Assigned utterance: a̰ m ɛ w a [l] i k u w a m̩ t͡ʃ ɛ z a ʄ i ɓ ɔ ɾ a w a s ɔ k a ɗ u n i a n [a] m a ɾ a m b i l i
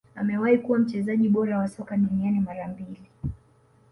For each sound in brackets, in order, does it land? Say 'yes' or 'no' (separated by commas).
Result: no, no